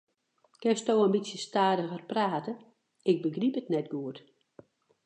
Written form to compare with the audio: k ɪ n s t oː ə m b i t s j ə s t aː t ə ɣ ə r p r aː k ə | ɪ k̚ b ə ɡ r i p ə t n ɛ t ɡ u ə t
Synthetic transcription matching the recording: k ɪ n s t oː ə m b i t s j ə s t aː d ə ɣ ə r p r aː t ə | ɪ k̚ b ə ɡ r i p ə t n ɛ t ɡ u ə t